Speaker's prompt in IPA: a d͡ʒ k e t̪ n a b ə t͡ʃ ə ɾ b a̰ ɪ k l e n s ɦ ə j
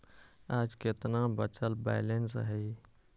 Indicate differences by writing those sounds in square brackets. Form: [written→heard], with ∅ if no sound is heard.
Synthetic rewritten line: a d͡ʒ k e t̪ n a b ə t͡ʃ ə [ɾ→l] b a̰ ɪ [k→∅] l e n s ɦ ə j